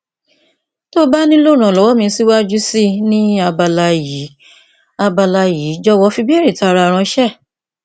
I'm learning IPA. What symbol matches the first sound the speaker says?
t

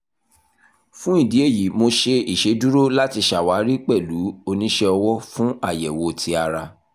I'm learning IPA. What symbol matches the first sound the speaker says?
f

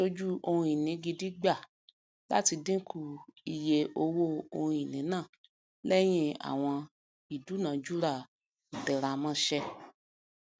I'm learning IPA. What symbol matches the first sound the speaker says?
o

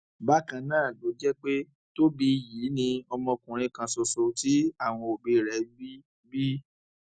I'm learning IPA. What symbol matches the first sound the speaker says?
b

